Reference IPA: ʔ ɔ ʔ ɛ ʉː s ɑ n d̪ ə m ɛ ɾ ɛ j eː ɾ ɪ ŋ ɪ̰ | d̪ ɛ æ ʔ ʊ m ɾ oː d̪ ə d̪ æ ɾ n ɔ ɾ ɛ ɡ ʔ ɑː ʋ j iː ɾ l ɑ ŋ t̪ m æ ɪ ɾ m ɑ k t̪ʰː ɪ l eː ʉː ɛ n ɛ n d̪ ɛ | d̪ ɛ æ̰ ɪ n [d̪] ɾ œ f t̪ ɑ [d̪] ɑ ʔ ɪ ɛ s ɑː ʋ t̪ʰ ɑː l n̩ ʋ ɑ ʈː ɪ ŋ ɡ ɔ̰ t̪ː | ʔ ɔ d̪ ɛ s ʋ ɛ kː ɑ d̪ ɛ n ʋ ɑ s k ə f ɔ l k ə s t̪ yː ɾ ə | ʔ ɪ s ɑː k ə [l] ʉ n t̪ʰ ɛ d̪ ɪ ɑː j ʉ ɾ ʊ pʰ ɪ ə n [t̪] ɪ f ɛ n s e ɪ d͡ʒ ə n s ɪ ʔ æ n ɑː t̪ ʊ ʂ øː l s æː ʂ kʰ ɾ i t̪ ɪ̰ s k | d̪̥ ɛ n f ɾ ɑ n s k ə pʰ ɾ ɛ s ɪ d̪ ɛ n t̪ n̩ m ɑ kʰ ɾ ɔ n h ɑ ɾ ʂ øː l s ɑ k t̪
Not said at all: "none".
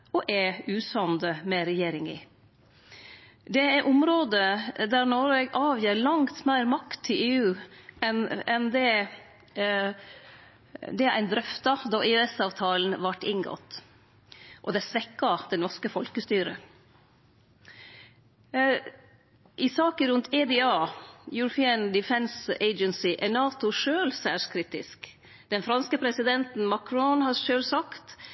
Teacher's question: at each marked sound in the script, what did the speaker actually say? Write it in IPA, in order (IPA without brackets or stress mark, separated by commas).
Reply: d̪, d̪, ɾ, d̪